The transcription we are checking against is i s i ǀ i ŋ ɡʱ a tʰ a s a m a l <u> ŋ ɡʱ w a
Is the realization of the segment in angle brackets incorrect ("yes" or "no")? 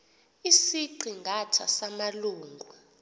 yes